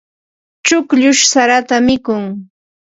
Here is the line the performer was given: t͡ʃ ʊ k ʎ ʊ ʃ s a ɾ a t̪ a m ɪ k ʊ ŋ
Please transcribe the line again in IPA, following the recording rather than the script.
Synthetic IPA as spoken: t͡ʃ ʊ k ʎ ʊ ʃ s a ɾ a t̪ a m ɪ k ʊ ŋ